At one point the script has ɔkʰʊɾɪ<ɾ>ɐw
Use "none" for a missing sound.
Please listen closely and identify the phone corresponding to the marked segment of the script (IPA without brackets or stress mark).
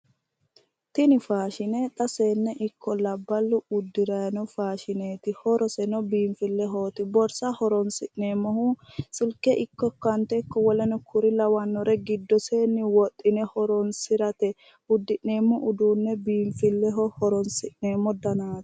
l